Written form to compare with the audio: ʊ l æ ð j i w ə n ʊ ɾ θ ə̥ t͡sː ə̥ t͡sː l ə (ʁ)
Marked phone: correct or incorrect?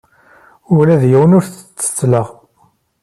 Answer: correct